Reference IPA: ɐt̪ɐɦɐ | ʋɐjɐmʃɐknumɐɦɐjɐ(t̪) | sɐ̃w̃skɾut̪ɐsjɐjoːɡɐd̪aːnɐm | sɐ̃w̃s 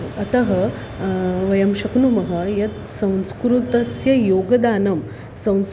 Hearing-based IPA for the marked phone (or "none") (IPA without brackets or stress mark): t̪